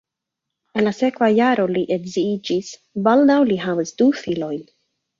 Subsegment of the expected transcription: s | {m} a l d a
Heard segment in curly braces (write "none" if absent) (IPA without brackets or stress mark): b